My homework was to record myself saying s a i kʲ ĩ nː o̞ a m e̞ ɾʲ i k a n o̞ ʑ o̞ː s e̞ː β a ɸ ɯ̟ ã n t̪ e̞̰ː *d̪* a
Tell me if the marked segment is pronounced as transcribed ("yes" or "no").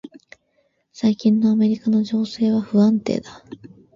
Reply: yes